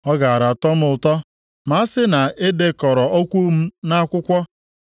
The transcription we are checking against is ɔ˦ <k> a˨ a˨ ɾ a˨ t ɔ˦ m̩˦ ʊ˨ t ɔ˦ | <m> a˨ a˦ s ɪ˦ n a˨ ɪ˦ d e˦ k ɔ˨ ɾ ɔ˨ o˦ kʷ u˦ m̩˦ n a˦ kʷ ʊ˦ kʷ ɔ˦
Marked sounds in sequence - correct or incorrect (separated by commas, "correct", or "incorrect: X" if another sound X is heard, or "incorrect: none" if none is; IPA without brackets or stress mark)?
incorrect: ɡ, correct